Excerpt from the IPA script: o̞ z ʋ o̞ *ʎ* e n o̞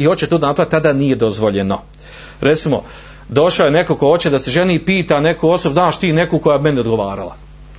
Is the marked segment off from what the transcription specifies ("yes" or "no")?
no